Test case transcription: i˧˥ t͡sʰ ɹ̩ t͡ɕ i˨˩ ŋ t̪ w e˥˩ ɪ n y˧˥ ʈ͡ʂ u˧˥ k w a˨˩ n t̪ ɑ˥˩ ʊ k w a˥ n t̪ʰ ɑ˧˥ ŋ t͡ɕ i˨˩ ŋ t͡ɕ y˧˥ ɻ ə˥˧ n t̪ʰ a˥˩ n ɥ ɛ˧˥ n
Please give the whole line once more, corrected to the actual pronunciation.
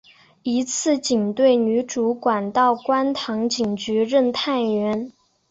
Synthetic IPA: i˧˥ t͡sʰ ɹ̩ t͡ɕ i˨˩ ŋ t̪ w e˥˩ ɪ n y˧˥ ʈ͡ʂ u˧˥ k w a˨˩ n t̪ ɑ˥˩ ʊ k w a˥ n t̪ʰ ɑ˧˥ ŋ t͡ɕ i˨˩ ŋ t͡ɕ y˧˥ ɻ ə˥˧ n t̪ʰ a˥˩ n ɥ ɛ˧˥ n